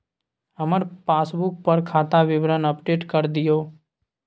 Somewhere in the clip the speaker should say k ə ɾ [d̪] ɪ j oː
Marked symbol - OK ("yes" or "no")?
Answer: yes